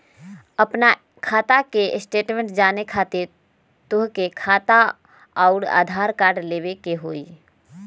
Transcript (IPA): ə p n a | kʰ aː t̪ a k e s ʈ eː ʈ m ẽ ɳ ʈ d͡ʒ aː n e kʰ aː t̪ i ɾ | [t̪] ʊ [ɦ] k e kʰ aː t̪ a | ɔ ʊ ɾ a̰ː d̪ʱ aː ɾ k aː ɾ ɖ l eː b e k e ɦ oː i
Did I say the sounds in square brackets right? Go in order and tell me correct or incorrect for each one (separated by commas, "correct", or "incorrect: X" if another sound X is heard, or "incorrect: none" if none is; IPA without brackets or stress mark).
correct, correct